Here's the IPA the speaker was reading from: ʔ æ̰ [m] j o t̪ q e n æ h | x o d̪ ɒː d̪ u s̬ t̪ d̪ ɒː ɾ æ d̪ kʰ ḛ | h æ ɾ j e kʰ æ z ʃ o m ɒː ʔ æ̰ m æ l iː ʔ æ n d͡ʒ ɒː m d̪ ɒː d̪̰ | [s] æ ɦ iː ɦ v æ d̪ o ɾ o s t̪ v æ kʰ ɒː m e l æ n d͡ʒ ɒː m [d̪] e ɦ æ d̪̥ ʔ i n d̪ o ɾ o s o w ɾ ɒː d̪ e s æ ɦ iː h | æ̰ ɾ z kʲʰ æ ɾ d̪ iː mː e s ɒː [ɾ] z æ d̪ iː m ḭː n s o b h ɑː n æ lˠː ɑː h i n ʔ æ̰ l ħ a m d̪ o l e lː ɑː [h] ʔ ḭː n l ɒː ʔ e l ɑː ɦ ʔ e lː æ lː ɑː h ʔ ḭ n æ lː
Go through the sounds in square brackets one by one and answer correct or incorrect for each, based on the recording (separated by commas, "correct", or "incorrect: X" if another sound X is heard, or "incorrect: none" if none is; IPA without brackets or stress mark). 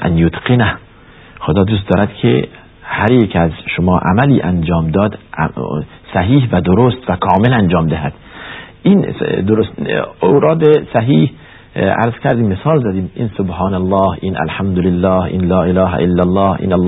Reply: incorrect: n, correct, correct, incorrect: l, correct